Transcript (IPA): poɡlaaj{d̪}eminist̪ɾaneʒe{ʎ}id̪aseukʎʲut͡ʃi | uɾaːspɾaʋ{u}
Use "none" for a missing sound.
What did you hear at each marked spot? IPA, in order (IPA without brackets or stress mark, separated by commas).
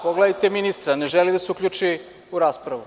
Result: t̪, l, u